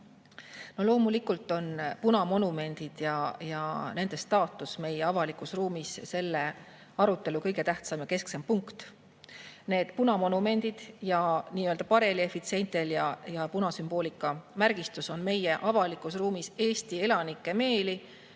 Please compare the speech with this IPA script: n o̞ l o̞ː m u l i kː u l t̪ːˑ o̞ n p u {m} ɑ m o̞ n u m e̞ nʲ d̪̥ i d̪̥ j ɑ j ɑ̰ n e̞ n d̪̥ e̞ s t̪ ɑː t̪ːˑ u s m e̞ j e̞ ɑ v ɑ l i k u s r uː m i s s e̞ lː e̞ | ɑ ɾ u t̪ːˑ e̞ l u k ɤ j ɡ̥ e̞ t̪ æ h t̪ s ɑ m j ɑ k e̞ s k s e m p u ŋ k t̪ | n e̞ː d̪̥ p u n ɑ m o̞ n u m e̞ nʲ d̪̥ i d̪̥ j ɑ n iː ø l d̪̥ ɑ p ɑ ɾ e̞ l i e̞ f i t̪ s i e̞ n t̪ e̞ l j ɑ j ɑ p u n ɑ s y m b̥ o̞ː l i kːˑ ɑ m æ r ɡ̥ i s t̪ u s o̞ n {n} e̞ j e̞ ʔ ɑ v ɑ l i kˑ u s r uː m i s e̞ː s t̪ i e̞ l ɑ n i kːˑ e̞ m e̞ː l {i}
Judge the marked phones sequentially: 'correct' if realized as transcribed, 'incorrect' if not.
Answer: incorrect, incorrect, correct

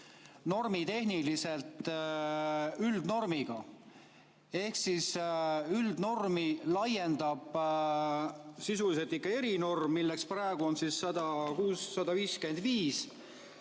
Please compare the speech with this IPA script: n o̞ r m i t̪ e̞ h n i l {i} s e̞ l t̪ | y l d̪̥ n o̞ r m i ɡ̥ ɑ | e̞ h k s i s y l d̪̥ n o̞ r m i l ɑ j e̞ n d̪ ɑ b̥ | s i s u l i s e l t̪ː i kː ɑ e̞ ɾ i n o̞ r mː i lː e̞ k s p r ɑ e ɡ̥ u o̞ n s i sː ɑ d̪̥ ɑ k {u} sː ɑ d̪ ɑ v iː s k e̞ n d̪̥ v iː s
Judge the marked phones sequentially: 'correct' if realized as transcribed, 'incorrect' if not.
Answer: correct, incorrect

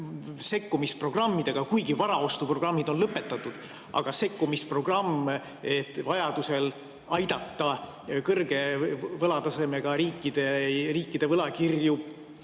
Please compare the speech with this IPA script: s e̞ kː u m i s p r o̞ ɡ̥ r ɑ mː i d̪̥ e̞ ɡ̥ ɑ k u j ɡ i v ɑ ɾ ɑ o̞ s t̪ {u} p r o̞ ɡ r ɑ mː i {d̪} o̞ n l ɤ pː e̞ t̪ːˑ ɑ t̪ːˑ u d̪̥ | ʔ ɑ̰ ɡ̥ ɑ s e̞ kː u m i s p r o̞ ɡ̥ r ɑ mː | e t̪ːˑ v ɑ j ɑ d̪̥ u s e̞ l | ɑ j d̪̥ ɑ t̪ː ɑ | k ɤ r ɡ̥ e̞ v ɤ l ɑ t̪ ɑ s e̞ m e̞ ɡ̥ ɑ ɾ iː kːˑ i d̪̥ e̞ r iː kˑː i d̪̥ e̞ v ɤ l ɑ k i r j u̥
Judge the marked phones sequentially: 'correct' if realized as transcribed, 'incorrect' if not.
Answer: correct, correct

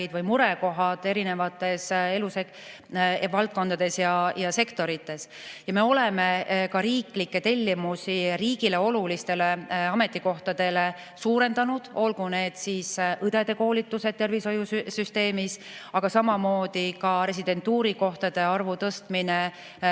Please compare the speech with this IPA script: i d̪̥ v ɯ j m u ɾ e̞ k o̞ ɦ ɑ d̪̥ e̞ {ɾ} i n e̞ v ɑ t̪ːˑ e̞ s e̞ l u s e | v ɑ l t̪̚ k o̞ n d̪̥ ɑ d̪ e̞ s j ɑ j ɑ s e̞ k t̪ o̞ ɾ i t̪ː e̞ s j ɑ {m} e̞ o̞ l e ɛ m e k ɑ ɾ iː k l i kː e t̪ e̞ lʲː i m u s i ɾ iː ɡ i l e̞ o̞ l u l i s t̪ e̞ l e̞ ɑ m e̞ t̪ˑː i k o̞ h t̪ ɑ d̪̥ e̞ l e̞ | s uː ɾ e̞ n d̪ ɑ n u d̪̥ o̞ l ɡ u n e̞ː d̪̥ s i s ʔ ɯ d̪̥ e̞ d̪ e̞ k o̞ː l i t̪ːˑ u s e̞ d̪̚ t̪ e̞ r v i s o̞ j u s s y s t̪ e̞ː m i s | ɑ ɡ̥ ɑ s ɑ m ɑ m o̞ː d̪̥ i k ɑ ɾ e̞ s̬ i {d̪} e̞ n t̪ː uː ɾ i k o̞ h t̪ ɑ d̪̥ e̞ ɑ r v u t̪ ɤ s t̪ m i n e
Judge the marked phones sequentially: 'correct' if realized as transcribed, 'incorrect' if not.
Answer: correct, correct, correct

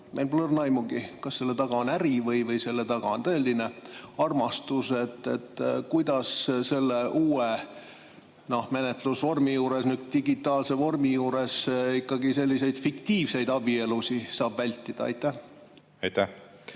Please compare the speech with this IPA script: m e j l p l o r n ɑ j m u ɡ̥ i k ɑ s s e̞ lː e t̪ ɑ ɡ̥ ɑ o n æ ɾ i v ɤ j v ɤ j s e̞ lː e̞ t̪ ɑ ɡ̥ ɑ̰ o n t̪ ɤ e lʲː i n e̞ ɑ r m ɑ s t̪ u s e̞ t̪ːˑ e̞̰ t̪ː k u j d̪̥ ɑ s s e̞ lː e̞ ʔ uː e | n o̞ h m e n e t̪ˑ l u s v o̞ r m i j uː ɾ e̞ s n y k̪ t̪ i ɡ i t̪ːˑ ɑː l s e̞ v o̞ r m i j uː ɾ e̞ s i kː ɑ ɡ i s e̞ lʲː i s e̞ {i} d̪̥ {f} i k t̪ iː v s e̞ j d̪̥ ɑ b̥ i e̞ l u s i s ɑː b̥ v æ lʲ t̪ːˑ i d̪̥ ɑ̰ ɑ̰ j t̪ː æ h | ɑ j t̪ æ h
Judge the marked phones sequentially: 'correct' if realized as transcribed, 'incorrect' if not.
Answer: incorrect, correct

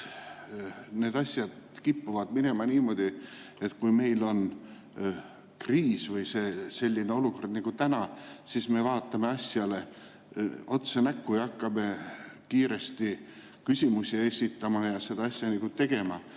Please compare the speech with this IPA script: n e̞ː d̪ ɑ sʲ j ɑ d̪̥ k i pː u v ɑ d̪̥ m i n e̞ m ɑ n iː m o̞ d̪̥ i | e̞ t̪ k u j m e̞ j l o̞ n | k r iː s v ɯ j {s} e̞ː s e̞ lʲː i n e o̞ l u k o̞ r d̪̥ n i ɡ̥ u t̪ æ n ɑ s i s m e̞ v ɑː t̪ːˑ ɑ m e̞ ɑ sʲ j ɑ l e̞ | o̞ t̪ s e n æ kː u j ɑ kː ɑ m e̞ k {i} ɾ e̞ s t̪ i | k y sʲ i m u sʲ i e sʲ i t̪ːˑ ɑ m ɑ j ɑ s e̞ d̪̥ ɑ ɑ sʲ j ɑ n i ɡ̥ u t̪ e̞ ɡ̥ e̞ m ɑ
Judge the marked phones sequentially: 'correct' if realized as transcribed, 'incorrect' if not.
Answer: correct, incorrect

